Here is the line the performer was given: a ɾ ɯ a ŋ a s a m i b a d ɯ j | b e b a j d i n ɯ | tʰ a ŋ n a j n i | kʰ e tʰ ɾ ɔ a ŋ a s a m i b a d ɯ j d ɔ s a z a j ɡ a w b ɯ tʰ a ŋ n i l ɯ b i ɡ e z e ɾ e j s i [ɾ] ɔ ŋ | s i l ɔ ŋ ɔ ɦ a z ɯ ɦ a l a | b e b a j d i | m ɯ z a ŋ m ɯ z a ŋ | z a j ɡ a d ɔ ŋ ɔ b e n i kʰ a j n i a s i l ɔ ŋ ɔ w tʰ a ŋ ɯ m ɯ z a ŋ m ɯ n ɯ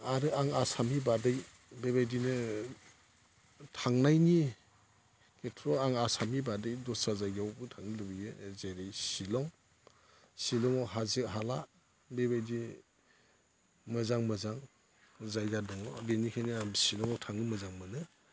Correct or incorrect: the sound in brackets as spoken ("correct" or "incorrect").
incorrect